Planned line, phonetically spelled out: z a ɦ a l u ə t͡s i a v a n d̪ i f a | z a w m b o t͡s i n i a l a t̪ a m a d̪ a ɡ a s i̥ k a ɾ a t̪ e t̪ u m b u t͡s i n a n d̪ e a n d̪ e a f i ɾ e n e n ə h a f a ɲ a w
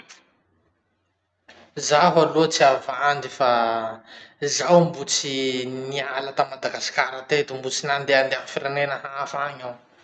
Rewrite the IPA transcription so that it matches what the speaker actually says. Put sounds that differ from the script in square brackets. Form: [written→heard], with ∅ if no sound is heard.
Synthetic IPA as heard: z a ɦ a l u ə t͡s i a v a n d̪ i f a | z a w m b [o→u] t͡s i n i a l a t̪ a m a d̪ a ɡ a s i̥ k a ɾ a t̪ e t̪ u m b u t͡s i n a n d̪ e a n d̪ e a f i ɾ e n e n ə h a f a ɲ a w